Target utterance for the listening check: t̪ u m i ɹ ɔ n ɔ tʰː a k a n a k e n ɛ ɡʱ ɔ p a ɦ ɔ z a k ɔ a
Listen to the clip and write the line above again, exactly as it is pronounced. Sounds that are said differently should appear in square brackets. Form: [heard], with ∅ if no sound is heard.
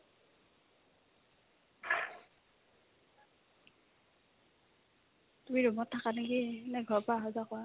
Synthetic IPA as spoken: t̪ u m i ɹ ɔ [m] ɔ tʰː a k a n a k [i] n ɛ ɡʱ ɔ p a ɦ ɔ z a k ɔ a